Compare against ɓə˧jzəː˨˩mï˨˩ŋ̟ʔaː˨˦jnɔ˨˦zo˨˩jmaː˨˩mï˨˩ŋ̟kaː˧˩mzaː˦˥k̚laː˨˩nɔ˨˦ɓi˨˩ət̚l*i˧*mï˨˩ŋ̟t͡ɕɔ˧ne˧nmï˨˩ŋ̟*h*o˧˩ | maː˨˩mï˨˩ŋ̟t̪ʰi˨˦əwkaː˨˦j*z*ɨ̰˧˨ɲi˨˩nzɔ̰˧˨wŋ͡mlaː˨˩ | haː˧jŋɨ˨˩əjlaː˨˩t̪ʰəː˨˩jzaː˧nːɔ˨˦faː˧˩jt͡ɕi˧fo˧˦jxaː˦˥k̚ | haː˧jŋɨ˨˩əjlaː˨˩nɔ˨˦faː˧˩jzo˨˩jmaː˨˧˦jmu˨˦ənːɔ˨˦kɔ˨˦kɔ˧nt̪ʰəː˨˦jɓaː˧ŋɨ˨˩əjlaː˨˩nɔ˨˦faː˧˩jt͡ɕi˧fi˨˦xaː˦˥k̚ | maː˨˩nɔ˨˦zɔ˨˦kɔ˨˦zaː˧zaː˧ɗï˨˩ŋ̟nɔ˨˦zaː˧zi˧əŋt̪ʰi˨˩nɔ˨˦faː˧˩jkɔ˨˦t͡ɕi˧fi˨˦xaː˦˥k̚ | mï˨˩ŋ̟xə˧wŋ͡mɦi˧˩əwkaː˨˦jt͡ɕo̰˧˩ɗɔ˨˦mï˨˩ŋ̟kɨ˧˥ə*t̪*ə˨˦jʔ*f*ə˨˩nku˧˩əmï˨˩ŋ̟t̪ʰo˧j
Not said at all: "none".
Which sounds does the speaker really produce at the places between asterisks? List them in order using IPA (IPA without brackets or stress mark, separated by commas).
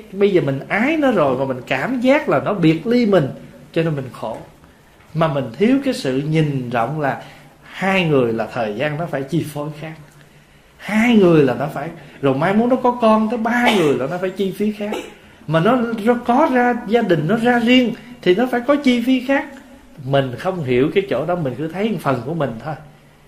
i˧, x, s, t̪ʰ, f